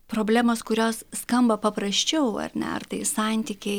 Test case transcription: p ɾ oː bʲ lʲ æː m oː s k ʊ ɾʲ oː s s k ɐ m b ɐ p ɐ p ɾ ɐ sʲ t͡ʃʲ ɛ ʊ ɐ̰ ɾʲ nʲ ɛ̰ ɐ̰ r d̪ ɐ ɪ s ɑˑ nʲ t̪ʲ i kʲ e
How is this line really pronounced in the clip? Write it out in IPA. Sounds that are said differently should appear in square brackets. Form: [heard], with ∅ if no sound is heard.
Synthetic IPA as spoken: p ɾ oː bʲ lʲ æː m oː s k ʊ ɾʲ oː s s k ɐ m b ɐ p ɐ p ɾ ɐ sʲ t͡ʃʲ ɛ ʊ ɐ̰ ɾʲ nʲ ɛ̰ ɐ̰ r [t̪] ɐ ɪ s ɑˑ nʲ t̪ʲ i kʲ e